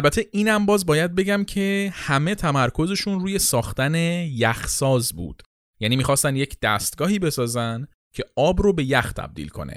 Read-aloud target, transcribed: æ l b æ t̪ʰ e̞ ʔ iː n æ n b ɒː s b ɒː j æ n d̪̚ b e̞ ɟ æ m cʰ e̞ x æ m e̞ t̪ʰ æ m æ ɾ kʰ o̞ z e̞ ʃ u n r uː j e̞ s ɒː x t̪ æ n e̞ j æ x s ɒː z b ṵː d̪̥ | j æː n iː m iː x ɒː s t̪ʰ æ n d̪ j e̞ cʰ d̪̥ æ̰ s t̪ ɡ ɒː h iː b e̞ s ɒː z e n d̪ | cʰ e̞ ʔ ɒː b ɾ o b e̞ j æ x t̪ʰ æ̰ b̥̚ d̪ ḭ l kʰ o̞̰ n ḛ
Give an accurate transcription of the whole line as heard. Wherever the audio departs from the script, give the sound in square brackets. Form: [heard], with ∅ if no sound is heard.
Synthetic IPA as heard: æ l b æ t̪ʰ e̞ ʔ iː n æ [m] b ɒː [z] b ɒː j æ [∅] d̪̚ b e̞ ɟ æ m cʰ e̞ [h] æ m e̞ t̪ʰ æ m æ ɾ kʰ o̞ z e̞ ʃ u n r uː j e̞ s ɒː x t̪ æ n e̞ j æ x s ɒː z b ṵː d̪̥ | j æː n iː m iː x ɒː s [t̪] æ n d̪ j e̞ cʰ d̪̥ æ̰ s t̪ ɡ ɒː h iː b e̞ s ɒː z [æ] n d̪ | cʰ e̞ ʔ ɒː b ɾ o b e̞ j æ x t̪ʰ æ̰ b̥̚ d̪ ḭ l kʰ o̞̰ n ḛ